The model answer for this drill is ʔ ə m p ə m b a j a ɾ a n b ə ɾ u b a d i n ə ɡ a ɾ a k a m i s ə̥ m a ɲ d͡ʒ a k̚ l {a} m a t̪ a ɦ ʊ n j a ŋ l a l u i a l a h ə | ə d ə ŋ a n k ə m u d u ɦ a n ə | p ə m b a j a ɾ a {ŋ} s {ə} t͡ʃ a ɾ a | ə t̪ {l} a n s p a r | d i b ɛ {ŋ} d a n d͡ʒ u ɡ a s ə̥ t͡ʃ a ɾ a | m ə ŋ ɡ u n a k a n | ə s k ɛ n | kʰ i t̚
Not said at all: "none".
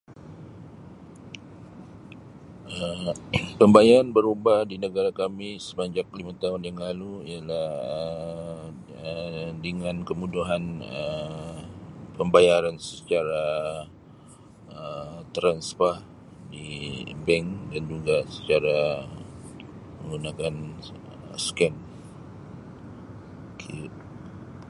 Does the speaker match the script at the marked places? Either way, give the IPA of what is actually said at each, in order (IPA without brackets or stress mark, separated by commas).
i, n, ə, ɾ, ŋ